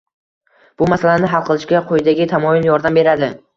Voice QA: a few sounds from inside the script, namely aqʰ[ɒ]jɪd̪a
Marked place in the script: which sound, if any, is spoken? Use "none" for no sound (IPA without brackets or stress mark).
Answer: o